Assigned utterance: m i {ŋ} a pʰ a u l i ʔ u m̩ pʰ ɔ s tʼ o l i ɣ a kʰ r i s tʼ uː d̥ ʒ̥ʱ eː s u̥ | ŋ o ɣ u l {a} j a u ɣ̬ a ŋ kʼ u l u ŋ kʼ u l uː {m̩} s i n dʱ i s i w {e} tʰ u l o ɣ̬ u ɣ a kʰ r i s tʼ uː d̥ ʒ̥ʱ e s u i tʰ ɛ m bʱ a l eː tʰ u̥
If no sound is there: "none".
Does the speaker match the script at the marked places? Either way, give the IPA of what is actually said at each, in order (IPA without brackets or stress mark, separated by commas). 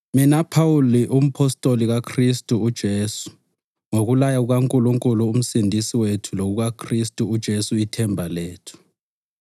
n, a, m̩, e